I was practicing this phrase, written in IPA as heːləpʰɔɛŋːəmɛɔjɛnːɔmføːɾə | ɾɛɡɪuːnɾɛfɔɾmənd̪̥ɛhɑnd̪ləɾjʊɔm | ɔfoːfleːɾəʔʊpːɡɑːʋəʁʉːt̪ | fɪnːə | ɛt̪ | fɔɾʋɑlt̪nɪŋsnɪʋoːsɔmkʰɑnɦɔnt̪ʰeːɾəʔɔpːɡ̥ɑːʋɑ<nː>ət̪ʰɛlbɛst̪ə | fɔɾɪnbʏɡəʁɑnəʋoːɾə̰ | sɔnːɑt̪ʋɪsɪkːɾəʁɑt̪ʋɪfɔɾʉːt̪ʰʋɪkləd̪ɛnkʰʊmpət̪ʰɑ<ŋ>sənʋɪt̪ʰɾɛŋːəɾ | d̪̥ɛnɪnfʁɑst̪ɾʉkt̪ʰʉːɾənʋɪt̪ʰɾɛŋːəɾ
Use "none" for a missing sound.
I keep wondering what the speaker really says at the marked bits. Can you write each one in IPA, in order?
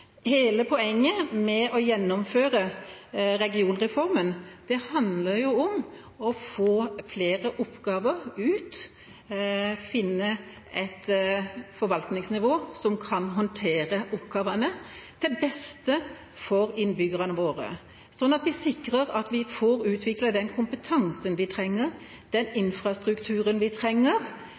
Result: n, ŋ

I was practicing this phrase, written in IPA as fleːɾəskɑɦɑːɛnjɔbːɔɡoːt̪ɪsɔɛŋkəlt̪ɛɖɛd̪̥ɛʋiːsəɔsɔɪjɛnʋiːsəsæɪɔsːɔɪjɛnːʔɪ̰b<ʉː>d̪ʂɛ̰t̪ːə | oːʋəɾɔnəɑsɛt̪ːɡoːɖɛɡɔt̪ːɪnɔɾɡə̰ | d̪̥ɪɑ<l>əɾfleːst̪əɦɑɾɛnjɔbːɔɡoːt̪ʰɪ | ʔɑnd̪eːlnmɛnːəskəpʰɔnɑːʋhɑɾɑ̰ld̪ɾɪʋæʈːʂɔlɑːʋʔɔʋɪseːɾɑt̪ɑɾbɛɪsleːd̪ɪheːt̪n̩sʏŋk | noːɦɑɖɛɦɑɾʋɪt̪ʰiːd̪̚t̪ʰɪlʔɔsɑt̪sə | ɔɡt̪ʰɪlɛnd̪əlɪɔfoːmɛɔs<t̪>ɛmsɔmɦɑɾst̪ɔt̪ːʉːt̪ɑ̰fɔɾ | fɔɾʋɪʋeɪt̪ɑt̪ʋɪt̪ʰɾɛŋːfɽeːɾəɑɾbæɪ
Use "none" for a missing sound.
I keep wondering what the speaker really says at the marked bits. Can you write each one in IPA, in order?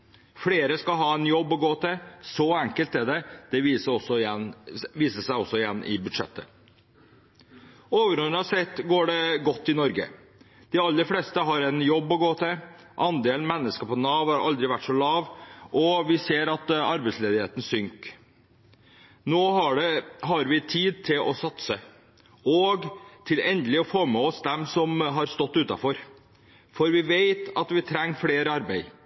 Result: ʉ, lː, d̪

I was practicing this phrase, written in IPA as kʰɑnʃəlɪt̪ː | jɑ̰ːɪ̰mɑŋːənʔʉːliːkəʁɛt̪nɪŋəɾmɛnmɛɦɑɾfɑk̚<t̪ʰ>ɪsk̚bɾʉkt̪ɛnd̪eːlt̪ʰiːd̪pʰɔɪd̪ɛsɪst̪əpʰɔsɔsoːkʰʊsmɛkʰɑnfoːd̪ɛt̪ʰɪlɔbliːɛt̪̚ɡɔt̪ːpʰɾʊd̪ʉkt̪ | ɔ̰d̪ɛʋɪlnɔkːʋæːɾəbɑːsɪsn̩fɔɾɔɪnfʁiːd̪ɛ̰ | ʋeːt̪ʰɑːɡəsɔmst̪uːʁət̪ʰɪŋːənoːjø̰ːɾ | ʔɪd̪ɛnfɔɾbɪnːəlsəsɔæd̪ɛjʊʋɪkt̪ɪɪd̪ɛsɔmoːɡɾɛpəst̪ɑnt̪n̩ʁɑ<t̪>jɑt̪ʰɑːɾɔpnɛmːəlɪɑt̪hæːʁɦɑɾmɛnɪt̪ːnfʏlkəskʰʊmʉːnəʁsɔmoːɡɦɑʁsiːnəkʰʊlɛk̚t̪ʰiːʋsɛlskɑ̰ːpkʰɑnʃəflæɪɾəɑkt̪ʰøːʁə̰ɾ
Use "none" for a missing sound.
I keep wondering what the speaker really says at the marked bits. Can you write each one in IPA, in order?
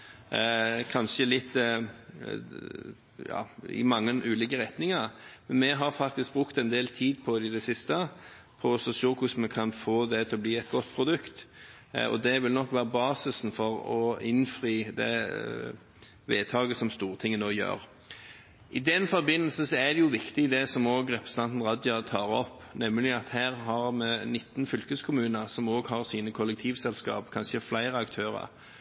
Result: t̪, d̪

